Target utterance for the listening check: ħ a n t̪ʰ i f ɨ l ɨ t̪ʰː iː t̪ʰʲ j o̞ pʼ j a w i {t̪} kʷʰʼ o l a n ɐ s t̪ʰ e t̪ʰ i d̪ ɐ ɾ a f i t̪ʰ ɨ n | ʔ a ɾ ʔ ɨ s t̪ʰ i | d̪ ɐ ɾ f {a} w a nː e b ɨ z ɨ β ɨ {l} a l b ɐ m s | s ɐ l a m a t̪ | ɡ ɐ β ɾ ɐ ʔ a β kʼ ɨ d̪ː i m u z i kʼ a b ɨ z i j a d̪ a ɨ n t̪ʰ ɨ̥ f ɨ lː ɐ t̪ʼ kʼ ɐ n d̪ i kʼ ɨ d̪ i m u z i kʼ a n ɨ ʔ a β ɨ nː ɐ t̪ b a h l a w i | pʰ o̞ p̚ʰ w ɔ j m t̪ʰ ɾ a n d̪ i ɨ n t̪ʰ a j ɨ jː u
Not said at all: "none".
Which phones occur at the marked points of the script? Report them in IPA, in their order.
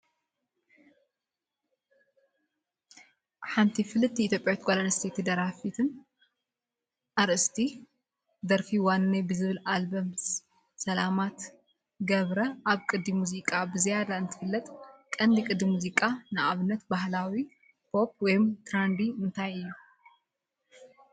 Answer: t̪, i, l

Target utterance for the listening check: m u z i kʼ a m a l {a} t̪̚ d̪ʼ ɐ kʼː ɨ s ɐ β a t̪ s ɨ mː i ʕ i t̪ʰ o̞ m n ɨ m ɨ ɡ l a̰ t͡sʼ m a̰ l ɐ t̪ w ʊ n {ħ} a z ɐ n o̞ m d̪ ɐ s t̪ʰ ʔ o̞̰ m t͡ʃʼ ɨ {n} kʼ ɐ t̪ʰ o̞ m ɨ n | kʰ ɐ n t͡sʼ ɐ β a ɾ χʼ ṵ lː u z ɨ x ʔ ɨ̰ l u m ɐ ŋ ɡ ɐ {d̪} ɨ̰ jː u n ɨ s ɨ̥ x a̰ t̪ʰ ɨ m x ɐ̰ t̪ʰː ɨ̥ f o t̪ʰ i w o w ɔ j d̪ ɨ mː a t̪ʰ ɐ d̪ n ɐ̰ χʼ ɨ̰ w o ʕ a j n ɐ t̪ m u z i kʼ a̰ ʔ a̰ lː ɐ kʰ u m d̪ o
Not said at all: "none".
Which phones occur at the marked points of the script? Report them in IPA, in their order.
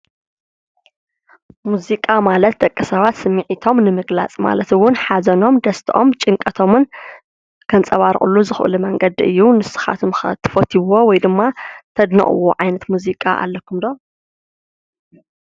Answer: ɐ, ħ, ŋ, d̪

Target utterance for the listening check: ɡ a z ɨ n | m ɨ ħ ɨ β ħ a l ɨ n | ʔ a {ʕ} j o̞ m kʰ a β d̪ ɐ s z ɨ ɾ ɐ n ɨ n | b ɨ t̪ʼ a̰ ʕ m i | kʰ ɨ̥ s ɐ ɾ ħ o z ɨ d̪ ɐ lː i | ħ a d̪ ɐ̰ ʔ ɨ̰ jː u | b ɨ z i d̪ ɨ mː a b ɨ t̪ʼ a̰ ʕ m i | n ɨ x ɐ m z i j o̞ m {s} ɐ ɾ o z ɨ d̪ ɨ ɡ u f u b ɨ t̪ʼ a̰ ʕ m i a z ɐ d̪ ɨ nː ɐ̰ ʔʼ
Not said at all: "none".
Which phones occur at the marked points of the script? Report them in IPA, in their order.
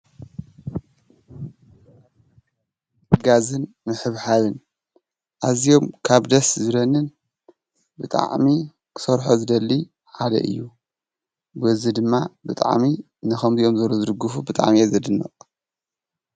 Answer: z, z

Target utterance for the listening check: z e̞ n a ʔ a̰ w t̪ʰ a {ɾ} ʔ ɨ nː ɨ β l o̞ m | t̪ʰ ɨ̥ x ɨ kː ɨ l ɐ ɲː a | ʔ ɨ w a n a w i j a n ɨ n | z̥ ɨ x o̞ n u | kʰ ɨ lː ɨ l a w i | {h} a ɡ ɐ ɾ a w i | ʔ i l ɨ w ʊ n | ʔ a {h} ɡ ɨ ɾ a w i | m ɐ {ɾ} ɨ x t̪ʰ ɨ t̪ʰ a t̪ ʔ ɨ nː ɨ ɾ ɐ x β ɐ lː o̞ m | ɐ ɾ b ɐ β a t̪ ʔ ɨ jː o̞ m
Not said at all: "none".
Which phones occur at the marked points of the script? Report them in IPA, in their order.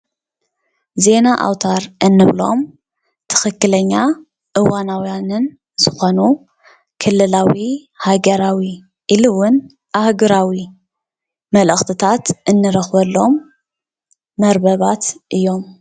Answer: ɾ, h, h, l

